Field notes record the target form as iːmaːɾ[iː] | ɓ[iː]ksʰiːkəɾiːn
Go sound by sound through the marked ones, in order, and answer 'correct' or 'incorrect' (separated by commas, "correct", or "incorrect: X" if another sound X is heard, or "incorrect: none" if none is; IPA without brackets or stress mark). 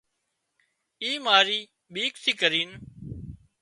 correct, correct